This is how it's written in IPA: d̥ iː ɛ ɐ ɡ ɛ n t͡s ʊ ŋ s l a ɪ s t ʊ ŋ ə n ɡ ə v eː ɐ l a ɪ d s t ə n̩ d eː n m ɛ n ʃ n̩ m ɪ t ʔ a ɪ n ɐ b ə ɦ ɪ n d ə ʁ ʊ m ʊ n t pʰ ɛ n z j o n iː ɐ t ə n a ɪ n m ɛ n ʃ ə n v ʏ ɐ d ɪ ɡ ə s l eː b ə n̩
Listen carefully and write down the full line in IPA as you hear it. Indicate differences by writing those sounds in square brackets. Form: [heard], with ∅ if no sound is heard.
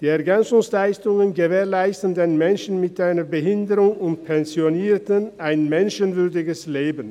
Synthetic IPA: d̥ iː ɛ ɐ ɡ ɛ n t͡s ʊ ŋ s l a ɪ s t ʊ ŋ ə n ɡ ə v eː ɐ l a ɪ [∅] s t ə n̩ d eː n m ɛ n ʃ n̩ m ɪ t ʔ a ɪ n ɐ b ə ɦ ɪ n d ə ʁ ʊ [ŋ] ʊ n t pʰ ɛ n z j o n iː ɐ t ə n a ɪ n m ɛ n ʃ ə n v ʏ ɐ d ɪ ɡ ə s l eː b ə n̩

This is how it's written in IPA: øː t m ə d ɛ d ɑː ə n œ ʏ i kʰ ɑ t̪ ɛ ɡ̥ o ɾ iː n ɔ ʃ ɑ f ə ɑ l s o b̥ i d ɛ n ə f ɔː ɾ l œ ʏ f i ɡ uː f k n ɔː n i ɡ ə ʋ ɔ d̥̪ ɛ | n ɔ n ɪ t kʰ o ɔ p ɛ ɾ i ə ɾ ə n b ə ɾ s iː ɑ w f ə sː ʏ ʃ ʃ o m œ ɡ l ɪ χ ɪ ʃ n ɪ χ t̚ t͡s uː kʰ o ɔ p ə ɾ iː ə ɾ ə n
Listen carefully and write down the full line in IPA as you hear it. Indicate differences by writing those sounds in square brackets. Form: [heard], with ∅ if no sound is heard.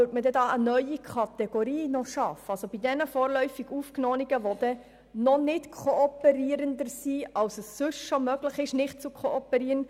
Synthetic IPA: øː t m ə d ɛ d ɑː ə n œ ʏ i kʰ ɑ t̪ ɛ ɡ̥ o ɾ iː n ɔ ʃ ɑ f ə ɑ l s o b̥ i d ɛ n ə f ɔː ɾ l œ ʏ f i ɡ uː f k n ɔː n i ɡ ə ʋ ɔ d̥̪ ɛ | n ɔ n ɪ t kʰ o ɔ p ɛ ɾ i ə ɾ ə n [d] ə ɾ s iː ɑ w [s] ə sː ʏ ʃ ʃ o m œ ɡ l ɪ χ ɪ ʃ n ɪ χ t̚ t͡s [u] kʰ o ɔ p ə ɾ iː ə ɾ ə n

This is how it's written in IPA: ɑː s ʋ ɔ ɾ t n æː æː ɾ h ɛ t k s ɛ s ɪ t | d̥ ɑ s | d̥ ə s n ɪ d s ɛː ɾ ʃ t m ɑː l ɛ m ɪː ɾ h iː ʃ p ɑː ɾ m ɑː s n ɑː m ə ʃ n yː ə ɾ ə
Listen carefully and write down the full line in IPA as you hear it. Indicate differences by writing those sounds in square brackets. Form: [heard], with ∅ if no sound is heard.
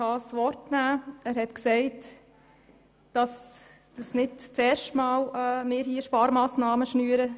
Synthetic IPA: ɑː s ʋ ɔ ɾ t n æː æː ɾ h ɛ t k s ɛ [∅] ɪ t | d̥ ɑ s | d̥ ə s n ɪ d [t͡s] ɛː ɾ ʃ t m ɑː l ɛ m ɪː ɾ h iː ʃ p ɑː ɾ m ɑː s n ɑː m ə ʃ n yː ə ɾ ə

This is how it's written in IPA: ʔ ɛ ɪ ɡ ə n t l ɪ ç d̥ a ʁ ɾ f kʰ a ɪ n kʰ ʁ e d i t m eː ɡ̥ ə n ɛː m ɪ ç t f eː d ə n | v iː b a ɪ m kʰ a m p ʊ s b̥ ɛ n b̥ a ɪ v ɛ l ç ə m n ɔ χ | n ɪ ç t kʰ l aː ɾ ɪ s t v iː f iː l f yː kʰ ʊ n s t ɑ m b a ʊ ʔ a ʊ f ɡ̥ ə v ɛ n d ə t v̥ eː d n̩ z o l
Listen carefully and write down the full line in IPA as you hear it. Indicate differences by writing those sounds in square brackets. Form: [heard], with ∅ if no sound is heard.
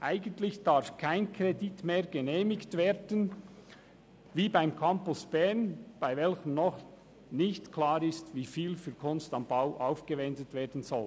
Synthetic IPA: ʔ [a] ɪ ɡ ə n t l ɪ ç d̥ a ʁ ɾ f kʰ a ɪ n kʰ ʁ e d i t m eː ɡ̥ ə n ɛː m ɪ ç t [v] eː d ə n | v iː b a ɪ m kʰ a m p ʊ s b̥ ɛ n b̥ a ɪ v ɛ l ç ə m n ɔ χ | n ɪ ç t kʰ l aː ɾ ɪ s t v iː f iː l f yː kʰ ʊ n s t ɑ m b a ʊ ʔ a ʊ f ɡ̥ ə v ɛ n d ə t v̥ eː d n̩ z [ɔ] l

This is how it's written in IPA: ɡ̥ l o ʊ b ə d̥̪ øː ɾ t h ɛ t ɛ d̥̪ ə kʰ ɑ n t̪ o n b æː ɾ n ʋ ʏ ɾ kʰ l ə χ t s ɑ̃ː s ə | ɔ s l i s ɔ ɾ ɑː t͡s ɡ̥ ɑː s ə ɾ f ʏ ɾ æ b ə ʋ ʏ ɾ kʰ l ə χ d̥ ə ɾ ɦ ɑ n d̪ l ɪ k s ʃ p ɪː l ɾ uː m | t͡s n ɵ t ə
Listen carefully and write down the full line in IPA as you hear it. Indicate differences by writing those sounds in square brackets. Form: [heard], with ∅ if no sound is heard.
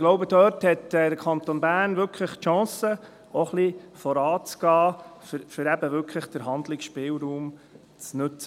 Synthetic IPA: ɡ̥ l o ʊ b ə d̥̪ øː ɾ t h ɛ t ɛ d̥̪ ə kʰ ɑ n t̪ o n b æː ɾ n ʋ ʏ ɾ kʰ l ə χ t [ʃ] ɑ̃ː s ə | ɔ [χ] l i [f] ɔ ɾ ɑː t͡s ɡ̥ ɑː [f] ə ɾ f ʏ ɾ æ b ə ʋ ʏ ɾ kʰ l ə χ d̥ ə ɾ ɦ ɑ n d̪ l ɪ k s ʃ p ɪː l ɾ uː m | t͡s n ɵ [t͡s] ə

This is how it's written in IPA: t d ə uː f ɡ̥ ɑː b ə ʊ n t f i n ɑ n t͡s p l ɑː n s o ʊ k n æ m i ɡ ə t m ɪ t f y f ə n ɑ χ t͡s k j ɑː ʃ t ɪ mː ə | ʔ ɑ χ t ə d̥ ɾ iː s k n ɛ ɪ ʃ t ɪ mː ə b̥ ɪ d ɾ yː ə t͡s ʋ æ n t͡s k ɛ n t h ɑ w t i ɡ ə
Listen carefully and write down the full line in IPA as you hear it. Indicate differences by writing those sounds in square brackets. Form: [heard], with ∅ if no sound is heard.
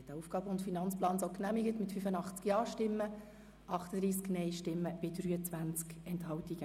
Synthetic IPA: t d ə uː f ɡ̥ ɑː b ə ʊ n t f i n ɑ n t͡s p l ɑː n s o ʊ k n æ m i ɡ ə t m ɪ t f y f ə n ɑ χ t͡s k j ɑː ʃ t ɪ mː ə | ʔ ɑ χ t ə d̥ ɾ iː s k n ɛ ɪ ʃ t ɪ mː ə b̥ ɪ d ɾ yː ə t͡s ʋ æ n t͡s k ɛ n t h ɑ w t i ɡ ə

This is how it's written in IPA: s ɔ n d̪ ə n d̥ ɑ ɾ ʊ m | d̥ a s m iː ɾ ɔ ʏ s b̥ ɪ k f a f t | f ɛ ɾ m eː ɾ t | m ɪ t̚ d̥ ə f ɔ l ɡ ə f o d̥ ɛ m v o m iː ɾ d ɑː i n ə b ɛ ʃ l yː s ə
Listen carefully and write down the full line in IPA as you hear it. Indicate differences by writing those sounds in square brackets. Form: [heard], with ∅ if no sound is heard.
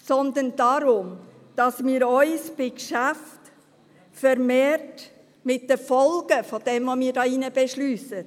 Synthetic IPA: s ɔ n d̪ ə n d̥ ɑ ɾ ʊ m | d̥ [ɑ] s m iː ɾ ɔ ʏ s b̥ ɪ k [ʃ] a f t | f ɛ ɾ m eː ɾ t | m ɪ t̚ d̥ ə f ɔ l ɡ ə f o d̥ ɛ m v o m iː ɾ d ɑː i n ə b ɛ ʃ l yː s ə

